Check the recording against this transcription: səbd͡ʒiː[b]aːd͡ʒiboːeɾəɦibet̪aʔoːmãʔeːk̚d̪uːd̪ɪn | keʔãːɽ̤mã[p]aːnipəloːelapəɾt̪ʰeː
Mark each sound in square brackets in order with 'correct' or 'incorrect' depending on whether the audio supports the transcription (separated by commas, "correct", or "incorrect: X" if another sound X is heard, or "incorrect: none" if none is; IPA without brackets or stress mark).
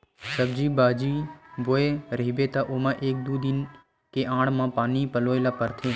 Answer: correct, correct